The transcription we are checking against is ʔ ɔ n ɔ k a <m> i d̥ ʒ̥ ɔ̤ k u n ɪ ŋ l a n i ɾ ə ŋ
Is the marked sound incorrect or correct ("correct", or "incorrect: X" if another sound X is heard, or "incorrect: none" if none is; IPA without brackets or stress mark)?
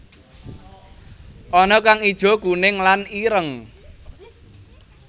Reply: incorrect: ŋ